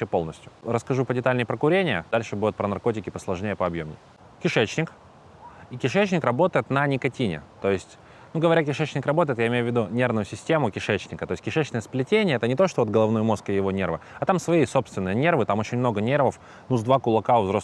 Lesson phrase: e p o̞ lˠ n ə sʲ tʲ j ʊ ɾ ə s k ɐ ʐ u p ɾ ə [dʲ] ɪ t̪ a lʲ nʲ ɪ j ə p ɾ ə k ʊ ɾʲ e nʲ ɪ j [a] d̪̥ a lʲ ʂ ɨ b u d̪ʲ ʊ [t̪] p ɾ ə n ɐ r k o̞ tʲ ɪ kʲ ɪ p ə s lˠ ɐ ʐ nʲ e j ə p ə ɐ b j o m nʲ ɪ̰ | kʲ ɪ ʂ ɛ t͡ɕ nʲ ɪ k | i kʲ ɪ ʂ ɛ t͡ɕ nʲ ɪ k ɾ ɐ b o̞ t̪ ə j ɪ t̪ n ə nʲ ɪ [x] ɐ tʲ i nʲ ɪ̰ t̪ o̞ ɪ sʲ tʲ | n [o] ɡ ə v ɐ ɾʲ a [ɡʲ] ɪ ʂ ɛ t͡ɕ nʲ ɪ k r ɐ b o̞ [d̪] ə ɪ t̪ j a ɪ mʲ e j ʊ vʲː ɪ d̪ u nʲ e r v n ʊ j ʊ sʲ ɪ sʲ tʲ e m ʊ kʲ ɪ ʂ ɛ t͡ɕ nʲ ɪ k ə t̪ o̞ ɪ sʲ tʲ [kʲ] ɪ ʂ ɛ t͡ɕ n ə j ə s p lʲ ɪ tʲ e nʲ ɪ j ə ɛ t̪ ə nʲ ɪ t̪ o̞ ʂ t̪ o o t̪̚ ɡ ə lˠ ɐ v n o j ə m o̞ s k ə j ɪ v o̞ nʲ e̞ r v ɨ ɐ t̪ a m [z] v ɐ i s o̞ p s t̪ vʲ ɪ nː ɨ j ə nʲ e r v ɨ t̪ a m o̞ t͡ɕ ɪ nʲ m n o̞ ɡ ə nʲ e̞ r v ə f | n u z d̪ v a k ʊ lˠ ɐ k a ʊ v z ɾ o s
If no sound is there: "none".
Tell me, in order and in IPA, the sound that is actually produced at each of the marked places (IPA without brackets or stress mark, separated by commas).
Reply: dʲ, ə, t̪, k, u, kʲ, t̪, kʲ, s